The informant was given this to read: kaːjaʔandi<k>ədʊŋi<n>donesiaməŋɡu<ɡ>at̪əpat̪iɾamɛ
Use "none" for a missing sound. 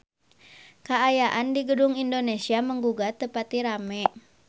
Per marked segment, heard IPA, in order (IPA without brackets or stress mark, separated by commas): ɡ, n, ɡ